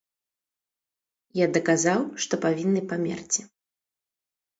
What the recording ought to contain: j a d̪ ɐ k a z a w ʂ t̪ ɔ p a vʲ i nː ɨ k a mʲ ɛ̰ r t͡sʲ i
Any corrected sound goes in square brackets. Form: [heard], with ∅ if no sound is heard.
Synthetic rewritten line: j a d̪ ɐ k a z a w ʂ t̪ ɔ p a vʲ i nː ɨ [p] a mʲ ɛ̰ r t͡sʲ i